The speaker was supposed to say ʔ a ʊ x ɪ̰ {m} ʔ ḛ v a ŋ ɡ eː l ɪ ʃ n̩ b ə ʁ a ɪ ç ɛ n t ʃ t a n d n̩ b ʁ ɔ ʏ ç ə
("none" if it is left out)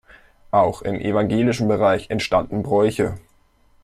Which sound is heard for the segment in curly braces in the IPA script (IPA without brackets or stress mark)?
m